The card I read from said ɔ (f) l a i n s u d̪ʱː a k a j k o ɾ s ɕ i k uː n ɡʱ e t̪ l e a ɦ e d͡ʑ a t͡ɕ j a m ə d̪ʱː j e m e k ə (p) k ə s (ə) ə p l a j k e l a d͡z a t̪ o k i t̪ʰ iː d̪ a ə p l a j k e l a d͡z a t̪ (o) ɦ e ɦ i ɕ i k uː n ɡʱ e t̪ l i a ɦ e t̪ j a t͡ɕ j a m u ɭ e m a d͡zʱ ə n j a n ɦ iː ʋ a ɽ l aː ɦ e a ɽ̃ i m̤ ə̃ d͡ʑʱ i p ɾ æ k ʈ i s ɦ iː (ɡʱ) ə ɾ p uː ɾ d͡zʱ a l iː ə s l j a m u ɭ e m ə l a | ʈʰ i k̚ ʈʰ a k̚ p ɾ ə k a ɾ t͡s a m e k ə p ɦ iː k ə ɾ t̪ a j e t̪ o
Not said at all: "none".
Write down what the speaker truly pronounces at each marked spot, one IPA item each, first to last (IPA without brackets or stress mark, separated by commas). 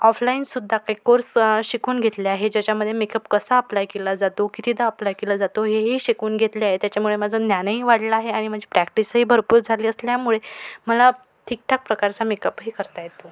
f, p, a, o, bʱ